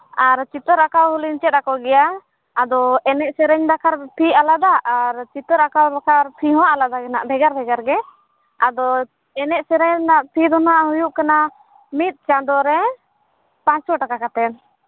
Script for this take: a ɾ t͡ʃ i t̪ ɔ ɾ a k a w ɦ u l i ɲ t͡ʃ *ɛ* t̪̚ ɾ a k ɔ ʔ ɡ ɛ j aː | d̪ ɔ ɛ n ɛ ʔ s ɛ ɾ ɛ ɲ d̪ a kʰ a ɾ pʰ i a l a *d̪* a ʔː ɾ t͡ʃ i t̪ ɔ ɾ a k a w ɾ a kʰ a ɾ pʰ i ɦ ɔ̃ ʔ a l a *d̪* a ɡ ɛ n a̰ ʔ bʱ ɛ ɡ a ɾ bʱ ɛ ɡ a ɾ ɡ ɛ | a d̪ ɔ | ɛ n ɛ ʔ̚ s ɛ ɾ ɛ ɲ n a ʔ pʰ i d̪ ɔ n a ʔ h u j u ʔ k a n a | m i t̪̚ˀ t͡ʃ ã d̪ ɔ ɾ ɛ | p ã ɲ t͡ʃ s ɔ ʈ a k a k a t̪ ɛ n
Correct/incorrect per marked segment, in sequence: correct, correct, correct

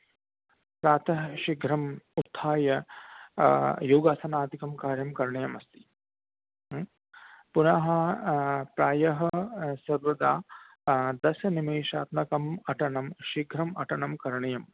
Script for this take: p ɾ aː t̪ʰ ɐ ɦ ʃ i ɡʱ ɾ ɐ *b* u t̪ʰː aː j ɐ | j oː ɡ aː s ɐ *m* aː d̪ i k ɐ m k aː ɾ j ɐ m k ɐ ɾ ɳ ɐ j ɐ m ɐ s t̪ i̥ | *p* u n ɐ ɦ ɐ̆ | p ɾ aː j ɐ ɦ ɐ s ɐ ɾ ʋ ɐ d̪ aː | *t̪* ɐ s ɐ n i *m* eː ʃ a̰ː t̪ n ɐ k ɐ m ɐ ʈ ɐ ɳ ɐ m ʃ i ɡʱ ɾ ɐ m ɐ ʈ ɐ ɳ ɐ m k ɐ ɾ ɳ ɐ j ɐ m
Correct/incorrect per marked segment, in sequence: incorrect: m, incorrect: n, correct, incorrect: d̪, correct

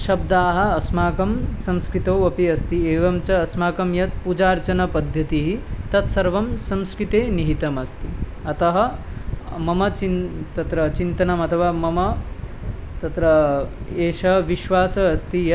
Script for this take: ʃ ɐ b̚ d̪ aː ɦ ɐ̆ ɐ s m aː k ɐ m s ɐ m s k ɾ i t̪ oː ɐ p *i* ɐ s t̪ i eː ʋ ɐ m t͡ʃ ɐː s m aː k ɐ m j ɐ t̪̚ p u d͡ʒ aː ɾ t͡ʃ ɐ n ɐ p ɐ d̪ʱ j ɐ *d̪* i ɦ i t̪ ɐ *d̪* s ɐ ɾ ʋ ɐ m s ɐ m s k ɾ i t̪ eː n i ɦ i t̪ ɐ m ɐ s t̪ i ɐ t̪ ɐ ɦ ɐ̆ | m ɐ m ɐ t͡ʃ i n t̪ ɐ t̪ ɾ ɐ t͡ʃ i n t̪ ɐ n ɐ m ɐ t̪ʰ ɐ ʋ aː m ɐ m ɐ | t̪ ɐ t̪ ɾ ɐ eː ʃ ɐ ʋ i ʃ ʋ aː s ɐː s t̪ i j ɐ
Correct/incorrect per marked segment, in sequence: correct, incorrect: t̪, incorrect: t̪

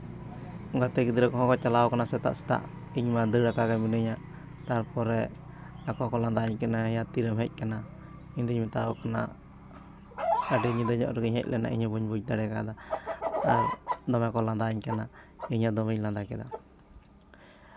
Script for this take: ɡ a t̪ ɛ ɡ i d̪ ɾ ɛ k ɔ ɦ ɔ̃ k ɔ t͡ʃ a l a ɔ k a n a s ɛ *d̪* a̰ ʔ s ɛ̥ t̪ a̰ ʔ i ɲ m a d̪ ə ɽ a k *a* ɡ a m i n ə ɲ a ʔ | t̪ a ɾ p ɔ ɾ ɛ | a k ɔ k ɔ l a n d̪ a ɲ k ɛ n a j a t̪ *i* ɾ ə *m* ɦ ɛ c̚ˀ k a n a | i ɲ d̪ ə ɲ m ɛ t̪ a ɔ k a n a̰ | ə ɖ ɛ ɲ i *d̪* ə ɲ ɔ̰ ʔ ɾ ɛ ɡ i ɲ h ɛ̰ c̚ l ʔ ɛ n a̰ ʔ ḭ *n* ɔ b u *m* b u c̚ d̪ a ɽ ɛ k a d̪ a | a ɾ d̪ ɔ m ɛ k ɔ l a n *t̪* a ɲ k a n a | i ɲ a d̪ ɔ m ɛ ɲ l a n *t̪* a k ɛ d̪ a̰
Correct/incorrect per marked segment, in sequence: incorrect: t̪, correct, correct, correct, correct, incorrect: ɲ, incorrect: ɲ, incorrect: d̪, incorrect: d̪

